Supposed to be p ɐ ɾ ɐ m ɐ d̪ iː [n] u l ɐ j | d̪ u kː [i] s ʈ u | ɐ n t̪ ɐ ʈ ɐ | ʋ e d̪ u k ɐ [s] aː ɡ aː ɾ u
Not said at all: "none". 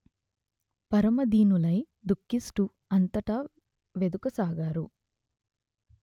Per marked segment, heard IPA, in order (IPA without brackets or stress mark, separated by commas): n, i, s